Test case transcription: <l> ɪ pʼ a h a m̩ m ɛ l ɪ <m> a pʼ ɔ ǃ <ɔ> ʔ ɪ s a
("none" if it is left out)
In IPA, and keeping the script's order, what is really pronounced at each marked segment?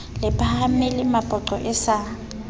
l, m, ɔ

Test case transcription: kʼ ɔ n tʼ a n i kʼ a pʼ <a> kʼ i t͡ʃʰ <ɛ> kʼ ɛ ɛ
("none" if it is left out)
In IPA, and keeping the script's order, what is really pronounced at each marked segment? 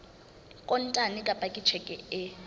a, ɛ

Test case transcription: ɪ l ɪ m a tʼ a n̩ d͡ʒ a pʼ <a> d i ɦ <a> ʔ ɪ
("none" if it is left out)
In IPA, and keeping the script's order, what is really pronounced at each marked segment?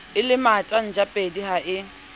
e, a

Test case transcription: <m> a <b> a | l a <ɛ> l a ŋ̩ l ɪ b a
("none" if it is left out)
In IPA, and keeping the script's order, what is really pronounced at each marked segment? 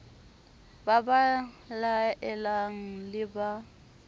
b, b, ɛ

